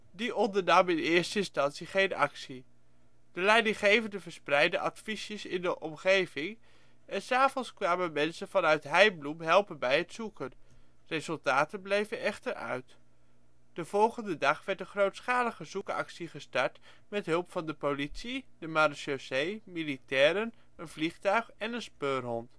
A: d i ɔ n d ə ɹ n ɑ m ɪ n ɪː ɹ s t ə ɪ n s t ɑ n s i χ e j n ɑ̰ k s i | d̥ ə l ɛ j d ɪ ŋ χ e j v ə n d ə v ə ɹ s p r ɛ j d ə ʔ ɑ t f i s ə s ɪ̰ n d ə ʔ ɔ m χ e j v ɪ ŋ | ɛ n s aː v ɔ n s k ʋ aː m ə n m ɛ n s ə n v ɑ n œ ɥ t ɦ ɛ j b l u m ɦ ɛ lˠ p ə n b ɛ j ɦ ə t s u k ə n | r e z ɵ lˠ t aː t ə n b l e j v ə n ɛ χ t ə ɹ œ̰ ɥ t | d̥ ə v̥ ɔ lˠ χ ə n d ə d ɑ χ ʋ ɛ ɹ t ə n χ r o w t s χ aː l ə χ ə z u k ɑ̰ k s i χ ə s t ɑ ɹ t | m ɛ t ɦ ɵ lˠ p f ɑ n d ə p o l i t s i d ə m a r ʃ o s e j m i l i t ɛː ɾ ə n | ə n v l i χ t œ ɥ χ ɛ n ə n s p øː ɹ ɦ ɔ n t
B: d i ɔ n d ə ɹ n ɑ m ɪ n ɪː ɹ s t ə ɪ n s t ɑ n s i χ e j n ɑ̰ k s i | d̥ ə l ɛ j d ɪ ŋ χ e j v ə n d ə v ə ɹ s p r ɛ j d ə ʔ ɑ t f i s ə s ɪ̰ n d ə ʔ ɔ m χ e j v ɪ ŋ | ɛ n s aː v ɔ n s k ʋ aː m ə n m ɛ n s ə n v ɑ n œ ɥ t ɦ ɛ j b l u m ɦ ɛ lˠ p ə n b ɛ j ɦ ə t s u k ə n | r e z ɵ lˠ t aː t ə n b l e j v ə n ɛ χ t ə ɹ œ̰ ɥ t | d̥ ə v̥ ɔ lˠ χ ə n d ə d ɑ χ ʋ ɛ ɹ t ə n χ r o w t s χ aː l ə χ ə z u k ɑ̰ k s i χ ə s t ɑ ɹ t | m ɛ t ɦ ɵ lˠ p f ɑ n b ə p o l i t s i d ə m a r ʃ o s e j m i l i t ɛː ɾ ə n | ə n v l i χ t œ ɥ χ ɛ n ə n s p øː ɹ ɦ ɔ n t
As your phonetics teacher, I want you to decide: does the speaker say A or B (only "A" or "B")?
A